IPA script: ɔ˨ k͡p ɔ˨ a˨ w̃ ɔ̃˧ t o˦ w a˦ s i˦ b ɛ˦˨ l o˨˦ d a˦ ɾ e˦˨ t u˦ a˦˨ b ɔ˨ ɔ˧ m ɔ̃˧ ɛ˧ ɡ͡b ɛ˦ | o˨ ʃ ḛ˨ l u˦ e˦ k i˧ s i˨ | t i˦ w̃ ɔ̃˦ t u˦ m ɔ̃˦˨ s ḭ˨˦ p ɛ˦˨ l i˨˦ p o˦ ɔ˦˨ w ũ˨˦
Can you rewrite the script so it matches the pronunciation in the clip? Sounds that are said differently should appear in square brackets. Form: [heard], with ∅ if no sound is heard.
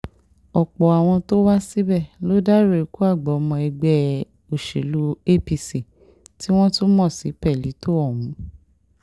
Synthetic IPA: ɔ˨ k͡p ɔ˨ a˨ w̃ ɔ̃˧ t o˦ w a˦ s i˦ b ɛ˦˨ l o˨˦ d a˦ ɾ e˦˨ [k] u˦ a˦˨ [ɡ͡b] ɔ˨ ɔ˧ m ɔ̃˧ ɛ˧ ɡ͡b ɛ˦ | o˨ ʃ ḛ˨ l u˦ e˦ [p] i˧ s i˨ | t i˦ w̃ ɔ̃˦ t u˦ m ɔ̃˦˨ s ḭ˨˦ p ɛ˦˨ l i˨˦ [t] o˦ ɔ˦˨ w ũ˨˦